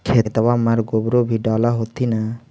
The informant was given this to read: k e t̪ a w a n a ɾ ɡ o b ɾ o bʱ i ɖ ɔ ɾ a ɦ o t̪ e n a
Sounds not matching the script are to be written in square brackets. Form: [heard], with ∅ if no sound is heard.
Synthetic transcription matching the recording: [kʰ] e t̪ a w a [m] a ɾ ɡ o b ɾ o bʱ i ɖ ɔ [l] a ɦ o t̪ [i] n a